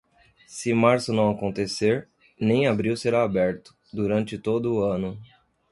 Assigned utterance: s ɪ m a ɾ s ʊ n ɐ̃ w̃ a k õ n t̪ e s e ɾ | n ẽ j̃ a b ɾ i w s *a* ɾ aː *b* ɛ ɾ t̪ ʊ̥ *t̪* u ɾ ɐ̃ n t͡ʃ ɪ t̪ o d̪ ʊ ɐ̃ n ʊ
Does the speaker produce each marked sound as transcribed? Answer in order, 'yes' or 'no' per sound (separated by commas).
no, yes, no